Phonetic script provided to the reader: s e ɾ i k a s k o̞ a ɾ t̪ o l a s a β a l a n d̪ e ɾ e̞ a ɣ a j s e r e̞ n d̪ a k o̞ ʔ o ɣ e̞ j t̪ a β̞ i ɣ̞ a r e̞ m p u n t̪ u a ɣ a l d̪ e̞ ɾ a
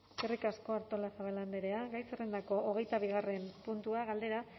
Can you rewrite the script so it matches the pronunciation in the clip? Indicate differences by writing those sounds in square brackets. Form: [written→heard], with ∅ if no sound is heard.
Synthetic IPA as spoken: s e [ɾ→r] i k a s k o̞ a ɾ t̪ o l a s a β a l a n d̪ e ɾ e̞ a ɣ a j s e r e̞ n d̪ a k o̞ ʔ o ɣ e̞ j t̪ a β̞ i ɣ̞ a r e̞ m p u n t̪ u a ɣ a l d̪ e̞ ɾ a